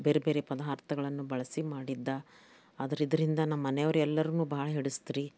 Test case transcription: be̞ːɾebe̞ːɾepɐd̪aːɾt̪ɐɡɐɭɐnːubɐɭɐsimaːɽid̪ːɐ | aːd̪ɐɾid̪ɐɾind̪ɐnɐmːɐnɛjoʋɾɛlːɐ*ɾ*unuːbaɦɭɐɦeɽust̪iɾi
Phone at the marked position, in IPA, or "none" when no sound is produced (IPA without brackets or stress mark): ɾ